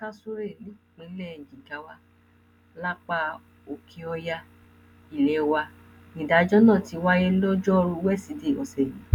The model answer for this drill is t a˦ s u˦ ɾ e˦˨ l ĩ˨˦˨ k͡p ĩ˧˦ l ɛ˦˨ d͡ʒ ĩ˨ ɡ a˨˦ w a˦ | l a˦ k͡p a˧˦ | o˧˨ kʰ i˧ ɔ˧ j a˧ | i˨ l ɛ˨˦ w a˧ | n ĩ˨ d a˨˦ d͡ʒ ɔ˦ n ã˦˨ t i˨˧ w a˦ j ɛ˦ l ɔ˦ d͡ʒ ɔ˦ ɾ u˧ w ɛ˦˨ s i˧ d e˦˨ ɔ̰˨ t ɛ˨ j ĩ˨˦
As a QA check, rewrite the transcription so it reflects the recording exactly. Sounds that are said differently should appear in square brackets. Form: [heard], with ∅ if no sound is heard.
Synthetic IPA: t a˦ s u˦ ɾ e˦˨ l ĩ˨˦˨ k͡p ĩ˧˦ l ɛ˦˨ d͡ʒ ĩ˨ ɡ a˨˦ w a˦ | l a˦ k͡p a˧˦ | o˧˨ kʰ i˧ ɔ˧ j a˧ | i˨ l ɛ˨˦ w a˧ | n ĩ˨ d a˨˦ d͡ʒ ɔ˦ n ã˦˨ t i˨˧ w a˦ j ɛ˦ l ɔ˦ d͡ʒ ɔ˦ ɾ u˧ w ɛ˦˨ s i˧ d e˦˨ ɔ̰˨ [s] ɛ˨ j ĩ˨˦